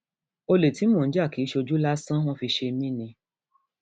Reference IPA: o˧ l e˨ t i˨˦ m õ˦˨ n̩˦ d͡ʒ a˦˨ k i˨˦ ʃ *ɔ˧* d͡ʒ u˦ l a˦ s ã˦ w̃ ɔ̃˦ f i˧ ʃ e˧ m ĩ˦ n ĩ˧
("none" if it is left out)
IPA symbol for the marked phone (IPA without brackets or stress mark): o˧